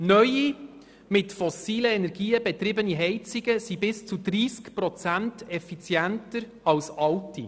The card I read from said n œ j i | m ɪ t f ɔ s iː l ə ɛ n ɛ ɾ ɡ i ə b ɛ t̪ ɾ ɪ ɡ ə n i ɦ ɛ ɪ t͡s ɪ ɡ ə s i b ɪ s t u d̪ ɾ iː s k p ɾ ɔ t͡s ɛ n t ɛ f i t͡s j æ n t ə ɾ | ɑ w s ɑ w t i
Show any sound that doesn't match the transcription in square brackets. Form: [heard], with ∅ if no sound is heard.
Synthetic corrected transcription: n œ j i | m ɪ t f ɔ s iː l ə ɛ n ɛ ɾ ɡ [iː] ə b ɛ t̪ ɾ ɪ [b] ə n i ɦ ɛ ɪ t͡s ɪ ɡ ə s i b ɪ s [t͡s] u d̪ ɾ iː s k p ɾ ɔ t͡s [æ] n t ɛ f i t͡s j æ n t ə ɾ | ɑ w s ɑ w t i